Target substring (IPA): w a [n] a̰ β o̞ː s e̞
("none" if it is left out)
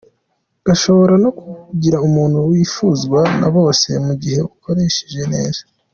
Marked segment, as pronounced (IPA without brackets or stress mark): n